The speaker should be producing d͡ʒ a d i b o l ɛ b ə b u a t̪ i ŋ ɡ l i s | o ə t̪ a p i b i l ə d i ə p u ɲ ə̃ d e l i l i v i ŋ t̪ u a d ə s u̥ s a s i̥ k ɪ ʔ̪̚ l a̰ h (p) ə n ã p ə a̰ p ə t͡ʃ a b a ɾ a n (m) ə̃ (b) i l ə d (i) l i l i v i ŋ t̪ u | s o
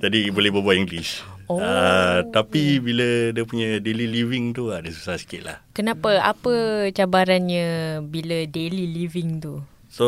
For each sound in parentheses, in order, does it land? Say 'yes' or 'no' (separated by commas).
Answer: no, no, yes, no